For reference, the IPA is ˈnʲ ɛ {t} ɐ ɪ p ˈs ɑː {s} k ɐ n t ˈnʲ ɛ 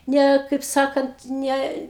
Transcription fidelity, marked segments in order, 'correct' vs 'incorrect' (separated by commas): incorrect, incorrect